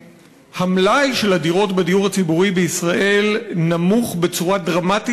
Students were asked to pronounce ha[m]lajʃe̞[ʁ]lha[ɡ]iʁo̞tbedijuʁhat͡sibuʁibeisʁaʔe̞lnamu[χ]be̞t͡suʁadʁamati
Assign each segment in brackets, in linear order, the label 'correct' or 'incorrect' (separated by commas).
correct, incorrect, incorrect, correct